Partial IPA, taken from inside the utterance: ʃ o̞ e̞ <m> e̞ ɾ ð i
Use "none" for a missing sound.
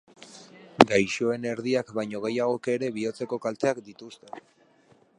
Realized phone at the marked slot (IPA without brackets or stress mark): n